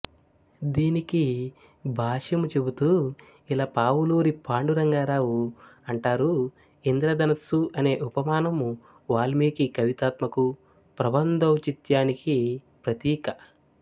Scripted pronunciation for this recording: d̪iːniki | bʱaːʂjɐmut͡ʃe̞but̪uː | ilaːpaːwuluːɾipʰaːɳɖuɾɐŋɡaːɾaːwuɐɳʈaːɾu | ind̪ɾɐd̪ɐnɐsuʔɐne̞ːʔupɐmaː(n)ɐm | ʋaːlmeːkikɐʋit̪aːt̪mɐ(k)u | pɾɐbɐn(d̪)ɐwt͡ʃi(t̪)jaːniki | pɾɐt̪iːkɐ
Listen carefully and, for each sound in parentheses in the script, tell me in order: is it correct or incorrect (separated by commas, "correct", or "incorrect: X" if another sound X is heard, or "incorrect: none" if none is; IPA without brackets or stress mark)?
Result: correct, correct, correct, correct